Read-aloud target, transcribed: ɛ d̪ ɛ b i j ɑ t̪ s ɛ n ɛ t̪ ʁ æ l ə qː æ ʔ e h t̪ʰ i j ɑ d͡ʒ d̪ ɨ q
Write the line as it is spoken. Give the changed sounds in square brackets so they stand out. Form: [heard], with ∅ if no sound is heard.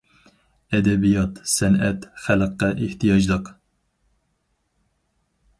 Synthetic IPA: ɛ d̪ ɛ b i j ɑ t̪ s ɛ n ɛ t̪ [χ] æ l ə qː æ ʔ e h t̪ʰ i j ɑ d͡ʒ d̪ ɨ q